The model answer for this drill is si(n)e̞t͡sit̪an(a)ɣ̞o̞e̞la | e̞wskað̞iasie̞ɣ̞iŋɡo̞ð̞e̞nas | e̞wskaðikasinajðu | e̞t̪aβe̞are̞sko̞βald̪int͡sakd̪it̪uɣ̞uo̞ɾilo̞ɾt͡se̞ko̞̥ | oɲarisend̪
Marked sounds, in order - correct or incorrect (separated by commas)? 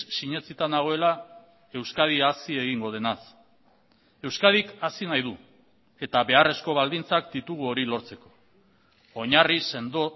incorrect, correct